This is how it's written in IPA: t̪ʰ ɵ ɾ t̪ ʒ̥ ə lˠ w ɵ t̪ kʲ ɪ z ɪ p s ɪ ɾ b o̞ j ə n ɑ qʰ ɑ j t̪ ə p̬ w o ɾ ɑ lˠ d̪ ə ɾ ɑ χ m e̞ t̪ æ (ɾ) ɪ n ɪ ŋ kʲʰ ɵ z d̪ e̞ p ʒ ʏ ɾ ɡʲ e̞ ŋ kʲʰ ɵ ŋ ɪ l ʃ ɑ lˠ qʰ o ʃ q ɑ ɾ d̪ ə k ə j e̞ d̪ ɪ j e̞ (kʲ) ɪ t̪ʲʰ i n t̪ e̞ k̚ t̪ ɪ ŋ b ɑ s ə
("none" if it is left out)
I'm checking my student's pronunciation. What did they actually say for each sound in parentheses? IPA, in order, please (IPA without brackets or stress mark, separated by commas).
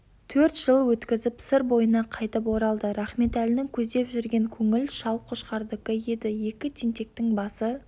l, kʲ